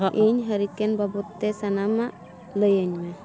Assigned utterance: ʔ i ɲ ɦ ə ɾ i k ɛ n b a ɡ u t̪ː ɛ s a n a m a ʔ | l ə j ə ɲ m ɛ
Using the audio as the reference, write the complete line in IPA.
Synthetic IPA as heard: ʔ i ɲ ɦ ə ɾ i k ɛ n b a b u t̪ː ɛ s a n a m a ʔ | l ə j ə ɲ m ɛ